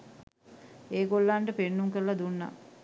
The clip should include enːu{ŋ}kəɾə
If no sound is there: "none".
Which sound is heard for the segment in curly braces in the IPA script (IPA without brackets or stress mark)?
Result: ŋ